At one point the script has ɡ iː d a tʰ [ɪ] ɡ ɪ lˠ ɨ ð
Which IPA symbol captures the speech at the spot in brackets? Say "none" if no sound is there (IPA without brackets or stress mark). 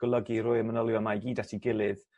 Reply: i